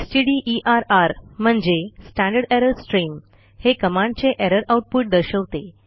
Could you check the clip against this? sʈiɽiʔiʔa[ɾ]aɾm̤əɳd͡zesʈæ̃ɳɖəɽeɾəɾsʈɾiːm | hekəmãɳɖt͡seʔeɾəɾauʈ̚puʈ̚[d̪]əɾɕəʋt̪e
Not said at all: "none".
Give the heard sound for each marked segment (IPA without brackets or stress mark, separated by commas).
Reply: ɾ, d̪